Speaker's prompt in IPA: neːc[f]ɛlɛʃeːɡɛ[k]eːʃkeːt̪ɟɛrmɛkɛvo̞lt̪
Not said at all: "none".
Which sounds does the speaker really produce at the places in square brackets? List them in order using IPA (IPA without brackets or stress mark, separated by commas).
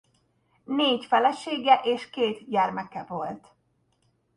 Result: f, ʔ